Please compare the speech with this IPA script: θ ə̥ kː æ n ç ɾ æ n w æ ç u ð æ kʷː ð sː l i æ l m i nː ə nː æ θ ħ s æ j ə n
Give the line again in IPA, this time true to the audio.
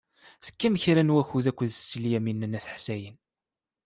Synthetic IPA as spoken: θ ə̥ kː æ m ç ɾ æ n w æ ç u ð æ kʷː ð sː l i æ m i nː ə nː æ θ ħ s æ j ə n